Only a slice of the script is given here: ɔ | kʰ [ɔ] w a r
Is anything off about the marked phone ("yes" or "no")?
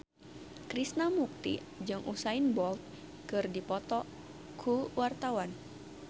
yes